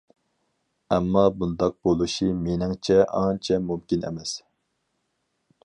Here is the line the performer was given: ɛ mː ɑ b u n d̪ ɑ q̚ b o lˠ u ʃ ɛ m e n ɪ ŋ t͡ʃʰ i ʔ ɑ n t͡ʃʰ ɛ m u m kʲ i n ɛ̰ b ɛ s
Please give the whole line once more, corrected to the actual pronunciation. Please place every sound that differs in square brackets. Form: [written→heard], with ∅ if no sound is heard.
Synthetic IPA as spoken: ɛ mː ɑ b u n d̪ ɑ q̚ b o lˠ u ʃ [ɛ→i] m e n ɪ ŋ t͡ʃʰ [i→ɛ] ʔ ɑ n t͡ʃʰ ɛ m u m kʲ i n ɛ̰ [b→m] ɛ s